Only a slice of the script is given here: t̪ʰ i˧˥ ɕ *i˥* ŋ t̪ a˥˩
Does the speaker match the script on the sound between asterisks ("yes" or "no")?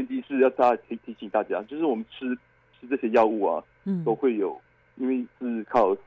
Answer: no